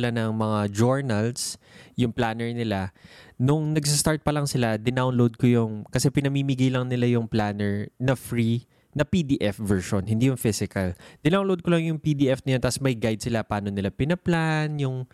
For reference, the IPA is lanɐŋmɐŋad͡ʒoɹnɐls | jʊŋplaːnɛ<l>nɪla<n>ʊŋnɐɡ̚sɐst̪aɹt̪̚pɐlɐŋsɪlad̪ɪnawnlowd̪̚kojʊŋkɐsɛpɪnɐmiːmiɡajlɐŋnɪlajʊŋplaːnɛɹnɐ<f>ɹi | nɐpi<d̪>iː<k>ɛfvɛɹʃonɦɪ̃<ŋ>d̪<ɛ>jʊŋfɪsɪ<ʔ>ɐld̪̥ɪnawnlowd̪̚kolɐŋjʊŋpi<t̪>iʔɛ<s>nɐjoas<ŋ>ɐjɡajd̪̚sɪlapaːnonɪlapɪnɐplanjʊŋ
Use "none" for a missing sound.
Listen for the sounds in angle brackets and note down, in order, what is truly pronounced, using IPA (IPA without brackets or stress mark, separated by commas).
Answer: ɹ, n, f, d̪, ʔ, n, i, k, d̪, f, m